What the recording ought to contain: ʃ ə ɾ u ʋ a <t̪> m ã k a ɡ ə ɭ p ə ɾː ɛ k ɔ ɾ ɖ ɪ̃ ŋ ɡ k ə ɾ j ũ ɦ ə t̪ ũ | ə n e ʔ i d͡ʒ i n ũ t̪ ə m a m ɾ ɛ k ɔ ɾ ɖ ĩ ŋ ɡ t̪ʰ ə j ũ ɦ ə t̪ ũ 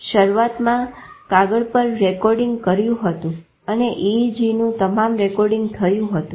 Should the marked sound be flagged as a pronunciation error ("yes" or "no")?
no